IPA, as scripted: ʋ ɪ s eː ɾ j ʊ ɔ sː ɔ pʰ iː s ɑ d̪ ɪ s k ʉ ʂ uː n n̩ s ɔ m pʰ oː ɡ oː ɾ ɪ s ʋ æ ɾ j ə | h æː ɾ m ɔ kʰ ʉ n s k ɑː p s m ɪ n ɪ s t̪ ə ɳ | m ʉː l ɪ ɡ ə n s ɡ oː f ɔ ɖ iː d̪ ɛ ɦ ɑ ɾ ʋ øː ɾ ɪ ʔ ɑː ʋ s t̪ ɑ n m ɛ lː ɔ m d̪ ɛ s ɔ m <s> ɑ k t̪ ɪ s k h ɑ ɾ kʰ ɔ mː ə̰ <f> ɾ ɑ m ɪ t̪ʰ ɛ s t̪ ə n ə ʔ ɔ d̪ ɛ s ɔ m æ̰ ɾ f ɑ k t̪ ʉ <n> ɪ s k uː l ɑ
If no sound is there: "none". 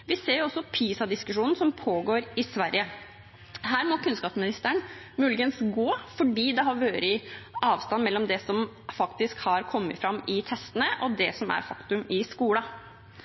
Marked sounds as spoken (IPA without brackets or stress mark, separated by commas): f, f, m